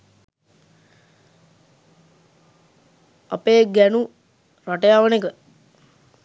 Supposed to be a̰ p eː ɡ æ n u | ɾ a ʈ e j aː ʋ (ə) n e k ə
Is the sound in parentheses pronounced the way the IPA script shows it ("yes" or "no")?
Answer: yes